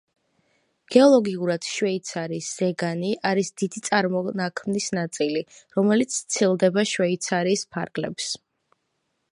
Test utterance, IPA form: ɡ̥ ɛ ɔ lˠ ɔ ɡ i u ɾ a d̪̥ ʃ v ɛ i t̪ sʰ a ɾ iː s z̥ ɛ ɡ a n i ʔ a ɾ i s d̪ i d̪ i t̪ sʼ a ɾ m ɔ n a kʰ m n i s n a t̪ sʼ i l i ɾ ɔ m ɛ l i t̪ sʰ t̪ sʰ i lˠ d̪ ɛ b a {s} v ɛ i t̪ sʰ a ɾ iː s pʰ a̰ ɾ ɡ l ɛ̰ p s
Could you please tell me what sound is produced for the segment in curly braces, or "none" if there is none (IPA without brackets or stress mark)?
ʃ